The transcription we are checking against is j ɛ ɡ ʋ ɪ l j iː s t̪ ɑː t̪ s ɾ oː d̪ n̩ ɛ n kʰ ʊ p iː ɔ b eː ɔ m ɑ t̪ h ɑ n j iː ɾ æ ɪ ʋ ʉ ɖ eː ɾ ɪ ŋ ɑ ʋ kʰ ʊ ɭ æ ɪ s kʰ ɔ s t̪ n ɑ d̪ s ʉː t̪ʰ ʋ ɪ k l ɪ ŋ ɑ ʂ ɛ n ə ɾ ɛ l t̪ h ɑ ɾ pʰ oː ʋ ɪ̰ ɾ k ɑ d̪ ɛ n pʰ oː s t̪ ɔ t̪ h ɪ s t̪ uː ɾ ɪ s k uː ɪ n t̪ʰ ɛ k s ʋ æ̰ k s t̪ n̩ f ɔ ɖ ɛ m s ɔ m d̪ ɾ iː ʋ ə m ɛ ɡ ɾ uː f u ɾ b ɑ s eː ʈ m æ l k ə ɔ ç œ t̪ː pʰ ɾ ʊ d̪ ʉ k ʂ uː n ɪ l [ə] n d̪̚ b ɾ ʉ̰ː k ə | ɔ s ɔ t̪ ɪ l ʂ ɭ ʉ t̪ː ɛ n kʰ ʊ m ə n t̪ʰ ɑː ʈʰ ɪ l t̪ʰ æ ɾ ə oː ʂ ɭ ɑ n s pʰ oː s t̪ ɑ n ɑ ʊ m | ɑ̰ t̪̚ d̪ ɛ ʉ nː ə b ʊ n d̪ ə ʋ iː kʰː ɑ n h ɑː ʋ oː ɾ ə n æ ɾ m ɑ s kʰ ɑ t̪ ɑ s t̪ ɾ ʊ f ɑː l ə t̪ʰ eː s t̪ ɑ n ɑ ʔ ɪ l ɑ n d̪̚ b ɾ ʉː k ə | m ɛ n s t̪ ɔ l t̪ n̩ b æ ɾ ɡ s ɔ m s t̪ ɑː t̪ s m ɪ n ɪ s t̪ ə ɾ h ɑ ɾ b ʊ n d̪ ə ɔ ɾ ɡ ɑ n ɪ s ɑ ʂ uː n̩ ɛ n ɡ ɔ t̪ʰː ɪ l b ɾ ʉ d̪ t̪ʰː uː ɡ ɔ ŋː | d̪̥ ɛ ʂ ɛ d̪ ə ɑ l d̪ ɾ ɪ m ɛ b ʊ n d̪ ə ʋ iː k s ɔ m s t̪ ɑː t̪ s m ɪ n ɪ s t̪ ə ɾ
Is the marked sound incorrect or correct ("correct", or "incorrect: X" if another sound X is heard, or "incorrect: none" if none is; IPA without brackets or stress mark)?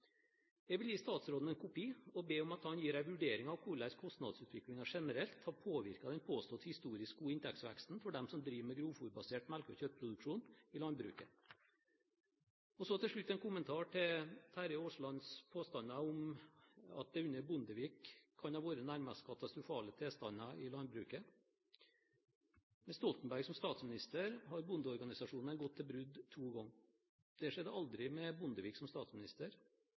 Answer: incorrect: ɑ